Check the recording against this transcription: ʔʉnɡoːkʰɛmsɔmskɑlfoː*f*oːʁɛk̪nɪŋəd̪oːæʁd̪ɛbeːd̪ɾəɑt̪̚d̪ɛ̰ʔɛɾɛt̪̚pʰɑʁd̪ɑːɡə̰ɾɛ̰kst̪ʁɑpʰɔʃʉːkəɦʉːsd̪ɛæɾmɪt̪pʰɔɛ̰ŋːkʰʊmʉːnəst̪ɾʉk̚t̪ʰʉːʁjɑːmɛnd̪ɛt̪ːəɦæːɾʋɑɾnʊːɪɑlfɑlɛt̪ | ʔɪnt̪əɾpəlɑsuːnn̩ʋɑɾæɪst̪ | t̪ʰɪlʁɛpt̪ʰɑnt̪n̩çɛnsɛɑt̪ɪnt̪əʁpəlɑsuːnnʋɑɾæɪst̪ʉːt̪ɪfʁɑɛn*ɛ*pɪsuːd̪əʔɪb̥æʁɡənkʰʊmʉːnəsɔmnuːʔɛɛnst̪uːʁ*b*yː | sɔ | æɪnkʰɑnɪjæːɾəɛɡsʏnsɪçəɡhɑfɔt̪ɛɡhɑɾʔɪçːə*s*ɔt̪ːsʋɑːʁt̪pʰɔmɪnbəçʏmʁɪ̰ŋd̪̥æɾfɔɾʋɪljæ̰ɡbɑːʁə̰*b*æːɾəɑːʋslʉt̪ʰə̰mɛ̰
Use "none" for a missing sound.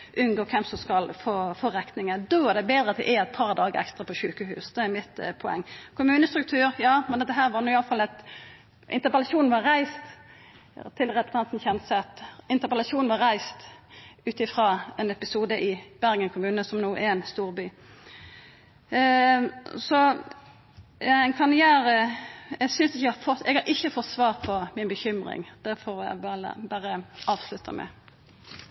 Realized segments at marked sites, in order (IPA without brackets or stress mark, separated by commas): f, ɛ, b, f, b